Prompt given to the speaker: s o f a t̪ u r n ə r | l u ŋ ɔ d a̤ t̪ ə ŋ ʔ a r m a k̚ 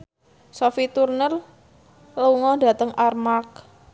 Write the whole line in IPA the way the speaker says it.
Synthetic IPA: s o f i t̪ u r n ə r | l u ŋ ɔ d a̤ t̪ ə ŋ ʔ a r m a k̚